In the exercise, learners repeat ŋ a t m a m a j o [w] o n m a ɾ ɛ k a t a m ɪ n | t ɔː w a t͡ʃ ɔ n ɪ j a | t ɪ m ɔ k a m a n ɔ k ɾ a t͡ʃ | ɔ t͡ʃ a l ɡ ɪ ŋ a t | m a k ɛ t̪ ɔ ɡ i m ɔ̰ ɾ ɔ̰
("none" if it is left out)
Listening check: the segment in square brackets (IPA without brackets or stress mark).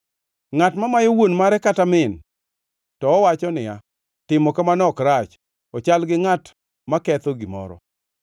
w